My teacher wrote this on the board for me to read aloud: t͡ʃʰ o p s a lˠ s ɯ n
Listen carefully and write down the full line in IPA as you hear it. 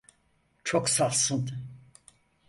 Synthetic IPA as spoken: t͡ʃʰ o k s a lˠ s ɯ n